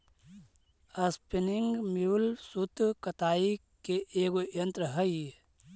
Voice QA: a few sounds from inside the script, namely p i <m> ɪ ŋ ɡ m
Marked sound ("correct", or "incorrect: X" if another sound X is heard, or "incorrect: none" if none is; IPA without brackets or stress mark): incorrect: n